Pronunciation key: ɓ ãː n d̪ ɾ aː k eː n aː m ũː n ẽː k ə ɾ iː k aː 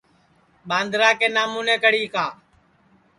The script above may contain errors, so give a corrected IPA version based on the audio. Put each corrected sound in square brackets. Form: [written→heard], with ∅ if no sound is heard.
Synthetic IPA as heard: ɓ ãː n d̪ ɾ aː k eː n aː m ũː n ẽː k ə [ɾ→ɽ] iː k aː